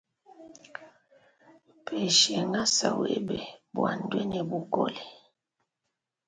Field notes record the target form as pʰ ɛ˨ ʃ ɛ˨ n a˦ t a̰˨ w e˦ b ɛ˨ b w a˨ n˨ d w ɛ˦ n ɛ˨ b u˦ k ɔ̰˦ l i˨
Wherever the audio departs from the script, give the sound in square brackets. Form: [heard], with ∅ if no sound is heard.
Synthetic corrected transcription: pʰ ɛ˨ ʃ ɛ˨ [ŋ] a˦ [s] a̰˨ w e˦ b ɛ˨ b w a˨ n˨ d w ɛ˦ n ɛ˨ b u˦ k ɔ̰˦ l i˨